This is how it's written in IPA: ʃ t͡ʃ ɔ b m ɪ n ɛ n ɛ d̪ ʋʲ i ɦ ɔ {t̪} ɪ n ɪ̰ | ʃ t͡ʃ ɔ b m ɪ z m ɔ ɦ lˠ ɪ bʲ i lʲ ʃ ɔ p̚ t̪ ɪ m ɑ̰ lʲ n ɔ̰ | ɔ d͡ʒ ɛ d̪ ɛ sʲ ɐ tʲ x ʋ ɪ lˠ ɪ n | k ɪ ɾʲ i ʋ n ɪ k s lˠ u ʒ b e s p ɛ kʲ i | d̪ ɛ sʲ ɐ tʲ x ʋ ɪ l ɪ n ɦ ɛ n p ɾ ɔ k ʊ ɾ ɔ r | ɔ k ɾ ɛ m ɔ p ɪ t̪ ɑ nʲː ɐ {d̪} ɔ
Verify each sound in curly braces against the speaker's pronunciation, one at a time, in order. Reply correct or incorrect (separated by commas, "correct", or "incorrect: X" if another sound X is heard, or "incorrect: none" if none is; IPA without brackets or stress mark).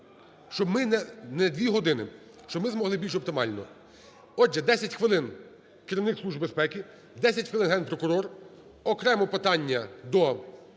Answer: incorrect: d̪, correct